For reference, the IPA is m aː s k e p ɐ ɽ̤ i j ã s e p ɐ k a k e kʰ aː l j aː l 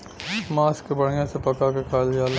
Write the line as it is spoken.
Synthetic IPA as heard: m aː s k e b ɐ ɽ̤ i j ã s e p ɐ k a k e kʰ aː l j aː l

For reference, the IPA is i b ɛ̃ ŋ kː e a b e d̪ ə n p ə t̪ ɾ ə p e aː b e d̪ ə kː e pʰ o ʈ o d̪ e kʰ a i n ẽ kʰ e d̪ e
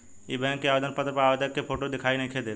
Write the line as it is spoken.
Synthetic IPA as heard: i b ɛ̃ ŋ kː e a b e d̪ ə n p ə t̪ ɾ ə p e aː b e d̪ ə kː e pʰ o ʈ o d̪ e kʰ a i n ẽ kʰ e d̪ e

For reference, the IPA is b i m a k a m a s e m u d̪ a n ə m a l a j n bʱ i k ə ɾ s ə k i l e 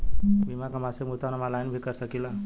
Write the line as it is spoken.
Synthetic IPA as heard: b i m a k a m a s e m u t̪ a n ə m a l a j n bʱ i k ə ɾ s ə k i l a

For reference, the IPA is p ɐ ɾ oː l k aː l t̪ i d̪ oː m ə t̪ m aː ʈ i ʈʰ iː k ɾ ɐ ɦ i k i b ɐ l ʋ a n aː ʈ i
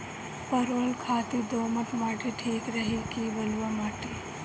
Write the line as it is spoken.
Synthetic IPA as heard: p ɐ ɾ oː l kʰ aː t̪ i d̪ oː m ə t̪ m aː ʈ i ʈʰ iː k ɾ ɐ ɦ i k i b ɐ l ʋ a m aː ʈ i

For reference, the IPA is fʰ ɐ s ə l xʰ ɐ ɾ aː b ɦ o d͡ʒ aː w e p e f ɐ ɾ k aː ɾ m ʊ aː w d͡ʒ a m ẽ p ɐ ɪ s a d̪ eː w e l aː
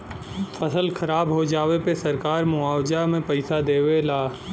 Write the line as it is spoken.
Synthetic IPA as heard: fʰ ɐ s ə l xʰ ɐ ɾ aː b ɦ o d͡ʒ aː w e p e s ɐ ɾ k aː ɾ m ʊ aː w d͡ʒ a m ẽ p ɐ ɪ s a d̪ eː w e l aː

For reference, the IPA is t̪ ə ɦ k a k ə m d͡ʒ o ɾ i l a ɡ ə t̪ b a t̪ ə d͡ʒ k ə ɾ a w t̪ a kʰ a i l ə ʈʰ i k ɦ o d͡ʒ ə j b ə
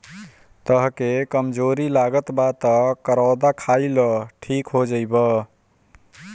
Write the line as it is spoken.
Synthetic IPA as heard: t̪ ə ɦ k e k ə m d͡ʒ o ɾ i l a ɡ ə t̪ b a t̪ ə k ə ɾ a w d̪ a kʰ a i l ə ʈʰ i k ɦ o d͡ʒ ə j b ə

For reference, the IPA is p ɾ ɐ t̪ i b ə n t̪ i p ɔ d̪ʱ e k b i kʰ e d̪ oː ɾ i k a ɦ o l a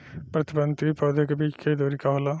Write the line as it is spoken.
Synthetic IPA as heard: p ɾ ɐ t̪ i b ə n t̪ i p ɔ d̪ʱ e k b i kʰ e d̪ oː ɾ i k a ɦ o l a

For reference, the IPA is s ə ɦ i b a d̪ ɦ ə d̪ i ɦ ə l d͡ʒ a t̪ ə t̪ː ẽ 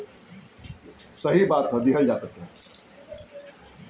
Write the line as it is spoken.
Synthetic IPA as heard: s ə ɦ i b a t̪ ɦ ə d̪ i ɦ ə l d͡ʒ a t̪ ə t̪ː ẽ

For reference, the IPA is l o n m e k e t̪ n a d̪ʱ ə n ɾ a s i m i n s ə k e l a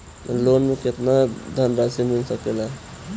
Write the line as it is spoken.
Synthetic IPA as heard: l o n m e k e t̪ n a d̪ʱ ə n ɾ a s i m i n s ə k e l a

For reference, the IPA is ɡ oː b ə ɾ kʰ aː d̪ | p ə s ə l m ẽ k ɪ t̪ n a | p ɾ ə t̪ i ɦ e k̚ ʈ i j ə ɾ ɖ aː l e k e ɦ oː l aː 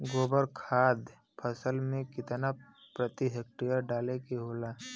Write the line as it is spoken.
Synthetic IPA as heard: ɡ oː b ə ɾ kʰ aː d̪ | pʰ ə s ə l m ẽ k ɪ t̪ n a | p ɾ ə t̪ i ɦ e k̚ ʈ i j ə ɾ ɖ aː l e k e ɦ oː l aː

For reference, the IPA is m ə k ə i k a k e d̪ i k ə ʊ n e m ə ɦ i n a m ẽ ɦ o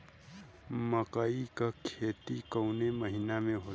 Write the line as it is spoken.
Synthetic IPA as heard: m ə k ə i k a kʰ e t̪ i k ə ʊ n e m ə ɦ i n a m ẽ ɦ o

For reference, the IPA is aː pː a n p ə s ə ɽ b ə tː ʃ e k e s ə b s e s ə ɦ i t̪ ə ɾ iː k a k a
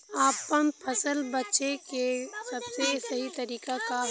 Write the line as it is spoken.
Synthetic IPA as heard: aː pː ə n pʰ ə s ə l b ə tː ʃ e k e s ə b s e s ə ɦ i t̪ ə ɾ iː k a k a

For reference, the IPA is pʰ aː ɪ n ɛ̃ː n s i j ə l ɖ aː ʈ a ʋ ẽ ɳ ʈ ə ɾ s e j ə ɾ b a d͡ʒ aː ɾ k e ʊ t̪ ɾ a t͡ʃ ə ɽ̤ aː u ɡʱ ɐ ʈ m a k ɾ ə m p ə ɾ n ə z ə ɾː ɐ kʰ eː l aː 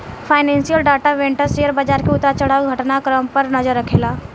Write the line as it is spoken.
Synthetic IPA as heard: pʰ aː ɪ n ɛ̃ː n s i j ə l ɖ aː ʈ a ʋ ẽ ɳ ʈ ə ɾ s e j ə ɾ b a d͡ʒ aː ɾ k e ʊ t̪ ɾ a t͡ʃ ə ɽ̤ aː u ɡʱ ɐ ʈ n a k ɾ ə m p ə ɾ n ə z ə ɾː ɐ kʰ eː l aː

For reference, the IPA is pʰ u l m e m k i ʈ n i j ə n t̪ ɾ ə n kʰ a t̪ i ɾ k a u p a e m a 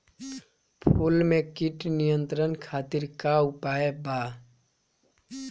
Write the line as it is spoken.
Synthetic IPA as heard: pʰ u l m e k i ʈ n i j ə n t̪ ɾ ə n kʰ a t̪ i ɾ k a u p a e b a

